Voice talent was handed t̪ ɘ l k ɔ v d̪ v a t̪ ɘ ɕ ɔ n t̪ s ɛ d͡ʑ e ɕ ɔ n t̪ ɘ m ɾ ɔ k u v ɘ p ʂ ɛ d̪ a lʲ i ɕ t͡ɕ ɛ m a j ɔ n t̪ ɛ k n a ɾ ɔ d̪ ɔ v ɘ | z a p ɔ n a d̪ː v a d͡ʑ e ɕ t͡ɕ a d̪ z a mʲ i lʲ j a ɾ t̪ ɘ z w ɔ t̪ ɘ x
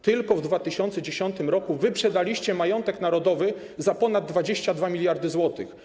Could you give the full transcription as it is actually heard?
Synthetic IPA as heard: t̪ ɘ l k ɔ v d̪ v a t̪ ɘ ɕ ɔ n t̪ s ɛ d͡ʑ e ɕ ɔ n t̪ ɘ m ɾ ɔ k u v ɘ p ʂ ɛ d̪ a lʲ i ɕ t͡ɕ ɛ m a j ɔ n t̪ ɛ k n a ɾ ɔ d̪ ɔ v ɘ | z a p ɔ n a d̪ː v a d͡ʑ e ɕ t͡ɕ a d̪ v a mʲ i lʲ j a ɾ d̪ ɘ z w ɔ t̪ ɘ x